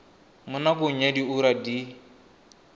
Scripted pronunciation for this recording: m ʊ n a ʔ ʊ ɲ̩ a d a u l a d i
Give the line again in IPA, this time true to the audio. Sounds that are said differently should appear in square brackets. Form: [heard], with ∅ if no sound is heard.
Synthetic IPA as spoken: m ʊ n a [k] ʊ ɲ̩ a d [i] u [ɾ] a d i